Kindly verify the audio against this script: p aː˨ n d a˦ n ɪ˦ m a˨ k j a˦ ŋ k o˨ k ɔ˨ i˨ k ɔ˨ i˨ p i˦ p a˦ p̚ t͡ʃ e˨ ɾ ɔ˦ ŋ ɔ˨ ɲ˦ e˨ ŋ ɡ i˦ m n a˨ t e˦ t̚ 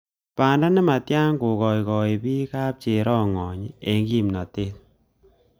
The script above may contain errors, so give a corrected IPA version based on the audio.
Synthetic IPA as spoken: p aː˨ n d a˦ n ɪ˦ m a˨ t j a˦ ŋ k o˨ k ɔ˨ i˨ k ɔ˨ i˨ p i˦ k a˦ p̚ t͡ʃ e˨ ɾ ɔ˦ ŋ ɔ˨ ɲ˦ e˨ ŋ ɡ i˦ m n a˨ t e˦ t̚